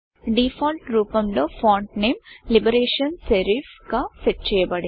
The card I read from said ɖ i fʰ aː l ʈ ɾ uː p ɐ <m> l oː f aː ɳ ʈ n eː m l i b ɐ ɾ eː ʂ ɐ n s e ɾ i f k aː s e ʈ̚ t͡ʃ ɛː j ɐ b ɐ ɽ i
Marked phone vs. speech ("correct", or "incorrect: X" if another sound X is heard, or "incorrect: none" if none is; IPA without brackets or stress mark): correct